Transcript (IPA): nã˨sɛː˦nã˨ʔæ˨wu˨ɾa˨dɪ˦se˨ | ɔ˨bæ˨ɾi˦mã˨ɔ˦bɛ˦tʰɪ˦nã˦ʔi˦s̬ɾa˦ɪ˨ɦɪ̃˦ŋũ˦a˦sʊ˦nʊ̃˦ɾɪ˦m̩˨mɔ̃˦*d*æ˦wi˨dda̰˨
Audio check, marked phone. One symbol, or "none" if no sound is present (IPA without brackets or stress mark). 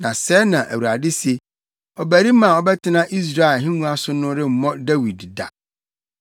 d